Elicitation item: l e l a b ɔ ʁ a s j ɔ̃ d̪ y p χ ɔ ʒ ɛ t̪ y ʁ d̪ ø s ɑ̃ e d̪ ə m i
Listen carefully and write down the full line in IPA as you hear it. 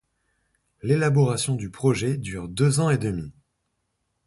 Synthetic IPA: l e l a b ɔ ʁ a s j ɔ̃ d̪ y p χ ɔ ʒ ɛ d̪ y ʁ d̪ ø z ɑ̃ e d̪ ə m i